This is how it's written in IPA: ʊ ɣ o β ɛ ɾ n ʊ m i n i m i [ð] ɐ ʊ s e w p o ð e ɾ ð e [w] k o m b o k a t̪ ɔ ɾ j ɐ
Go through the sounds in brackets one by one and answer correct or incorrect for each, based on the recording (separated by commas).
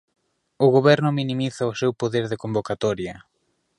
incorrect, incorrect